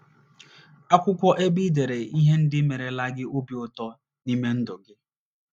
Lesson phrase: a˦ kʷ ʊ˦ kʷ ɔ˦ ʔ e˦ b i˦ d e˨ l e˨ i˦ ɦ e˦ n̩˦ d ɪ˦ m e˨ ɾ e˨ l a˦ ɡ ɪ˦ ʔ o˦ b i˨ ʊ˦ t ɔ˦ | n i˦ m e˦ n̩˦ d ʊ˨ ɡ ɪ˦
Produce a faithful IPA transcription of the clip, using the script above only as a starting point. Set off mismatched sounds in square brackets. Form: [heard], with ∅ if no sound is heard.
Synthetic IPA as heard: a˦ kʷ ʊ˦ kʷ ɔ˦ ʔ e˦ b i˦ d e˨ [ɾ] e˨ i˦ ɦ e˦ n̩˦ d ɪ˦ m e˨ ɾ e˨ l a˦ ɡ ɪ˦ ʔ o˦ b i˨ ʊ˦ t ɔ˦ | n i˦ m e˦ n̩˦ d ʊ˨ ɡ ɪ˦